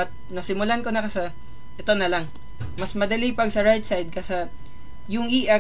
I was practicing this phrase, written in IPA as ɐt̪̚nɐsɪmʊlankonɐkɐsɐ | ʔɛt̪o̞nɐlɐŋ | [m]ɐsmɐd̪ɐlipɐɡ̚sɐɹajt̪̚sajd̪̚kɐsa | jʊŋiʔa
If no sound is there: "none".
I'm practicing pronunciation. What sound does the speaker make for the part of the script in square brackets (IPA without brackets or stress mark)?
m